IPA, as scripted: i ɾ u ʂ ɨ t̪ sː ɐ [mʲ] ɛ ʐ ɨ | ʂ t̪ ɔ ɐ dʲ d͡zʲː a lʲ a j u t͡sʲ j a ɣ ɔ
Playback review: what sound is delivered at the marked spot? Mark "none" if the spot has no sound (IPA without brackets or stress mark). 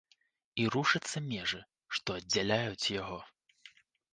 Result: mʲ